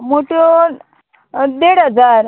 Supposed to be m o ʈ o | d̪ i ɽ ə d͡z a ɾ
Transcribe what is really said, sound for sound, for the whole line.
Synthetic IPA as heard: m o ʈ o | d̪ e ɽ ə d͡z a ɾ